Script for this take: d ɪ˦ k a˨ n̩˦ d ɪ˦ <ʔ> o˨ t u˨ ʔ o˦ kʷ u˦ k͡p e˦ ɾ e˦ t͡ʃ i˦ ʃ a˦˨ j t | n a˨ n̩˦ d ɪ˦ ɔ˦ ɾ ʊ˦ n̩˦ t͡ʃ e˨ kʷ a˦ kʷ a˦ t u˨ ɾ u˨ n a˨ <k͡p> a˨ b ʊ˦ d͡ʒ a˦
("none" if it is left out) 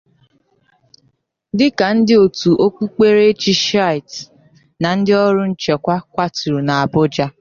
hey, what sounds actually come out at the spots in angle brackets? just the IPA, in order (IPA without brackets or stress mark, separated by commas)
none, none